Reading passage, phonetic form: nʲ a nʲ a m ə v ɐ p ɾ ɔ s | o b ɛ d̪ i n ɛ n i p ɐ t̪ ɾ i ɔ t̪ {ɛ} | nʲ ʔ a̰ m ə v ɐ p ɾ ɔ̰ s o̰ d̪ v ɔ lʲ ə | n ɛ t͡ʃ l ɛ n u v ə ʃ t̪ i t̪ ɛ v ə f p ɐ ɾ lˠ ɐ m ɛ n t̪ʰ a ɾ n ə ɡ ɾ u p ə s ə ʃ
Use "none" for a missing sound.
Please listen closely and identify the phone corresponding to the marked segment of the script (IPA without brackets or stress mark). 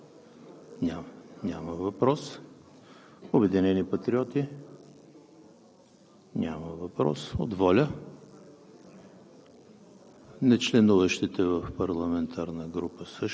i